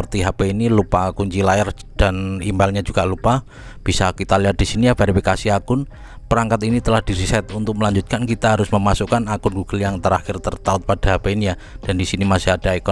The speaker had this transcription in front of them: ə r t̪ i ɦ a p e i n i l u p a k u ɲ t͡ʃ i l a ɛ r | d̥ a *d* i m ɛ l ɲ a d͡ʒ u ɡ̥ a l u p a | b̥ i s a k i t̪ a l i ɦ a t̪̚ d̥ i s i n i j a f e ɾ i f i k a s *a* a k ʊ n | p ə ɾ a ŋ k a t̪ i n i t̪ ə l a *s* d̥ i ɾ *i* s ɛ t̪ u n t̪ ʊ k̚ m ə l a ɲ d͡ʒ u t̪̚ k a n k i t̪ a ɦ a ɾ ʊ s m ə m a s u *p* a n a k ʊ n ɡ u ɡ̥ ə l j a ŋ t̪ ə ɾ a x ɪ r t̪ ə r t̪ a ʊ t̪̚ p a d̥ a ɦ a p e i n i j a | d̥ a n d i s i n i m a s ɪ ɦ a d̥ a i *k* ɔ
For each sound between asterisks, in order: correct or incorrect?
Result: incorrect, incorrect, incorrect, correct, incorrect, correct

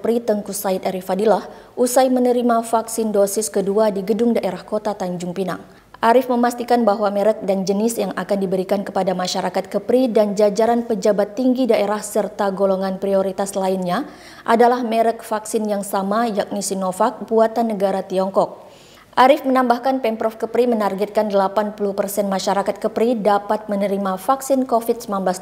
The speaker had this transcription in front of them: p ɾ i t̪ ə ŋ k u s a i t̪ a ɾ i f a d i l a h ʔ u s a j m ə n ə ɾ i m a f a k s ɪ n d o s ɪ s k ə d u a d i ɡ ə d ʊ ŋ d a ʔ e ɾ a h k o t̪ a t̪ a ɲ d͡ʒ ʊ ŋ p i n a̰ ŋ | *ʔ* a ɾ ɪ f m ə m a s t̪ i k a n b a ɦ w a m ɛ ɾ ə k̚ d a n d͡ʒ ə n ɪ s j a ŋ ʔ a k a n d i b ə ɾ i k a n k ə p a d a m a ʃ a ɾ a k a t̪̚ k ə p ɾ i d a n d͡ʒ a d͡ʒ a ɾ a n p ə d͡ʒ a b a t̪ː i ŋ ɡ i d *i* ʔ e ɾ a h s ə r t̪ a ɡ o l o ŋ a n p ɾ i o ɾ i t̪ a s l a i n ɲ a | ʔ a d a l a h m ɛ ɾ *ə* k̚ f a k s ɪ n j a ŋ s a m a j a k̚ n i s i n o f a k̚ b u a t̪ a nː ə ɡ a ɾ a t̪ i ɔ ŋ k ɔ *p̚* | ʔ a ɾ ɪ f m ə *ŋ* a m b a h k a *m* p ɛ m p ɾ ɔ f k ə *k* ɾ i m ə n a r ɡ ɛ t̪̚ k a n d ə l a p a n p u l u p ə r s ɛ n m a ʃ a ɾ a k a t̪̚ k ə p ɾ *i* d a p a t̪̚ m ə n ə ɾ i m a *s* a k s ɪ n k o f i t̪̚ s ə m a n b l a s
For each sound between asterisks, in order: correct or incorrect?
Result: correct, incorrect, correct, incorrect, incorrect, incorrect, incorrect, correct, incorrect

